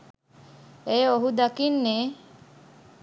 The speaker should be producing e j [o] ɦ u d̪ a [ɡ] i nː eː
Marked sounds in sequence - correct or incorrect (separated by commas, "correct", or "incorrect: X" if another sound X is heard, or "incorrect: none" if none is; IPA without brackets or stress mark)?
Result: correct, incorrect: k